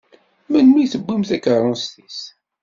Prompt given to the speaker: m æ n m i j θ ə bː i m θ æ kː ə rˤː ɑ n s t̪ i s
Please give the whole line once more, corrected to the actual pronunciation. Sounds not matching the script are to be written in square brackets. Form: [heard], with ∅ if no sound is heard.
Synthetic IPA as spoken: m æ n m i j θ ə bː i m θ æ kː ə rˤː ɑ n s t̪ i s